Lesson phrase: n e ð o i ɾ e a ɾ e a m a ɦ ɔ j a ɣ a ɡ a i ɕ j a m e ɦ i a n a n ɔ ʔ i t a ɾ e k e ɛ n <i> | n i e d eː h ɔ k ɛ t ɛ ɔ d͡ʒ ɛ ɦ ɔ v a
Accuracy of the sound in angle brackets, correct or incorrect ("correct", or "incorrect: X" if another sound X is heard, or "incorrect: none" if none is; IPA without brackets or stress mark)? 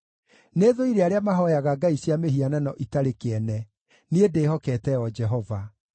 incorrect: ɛ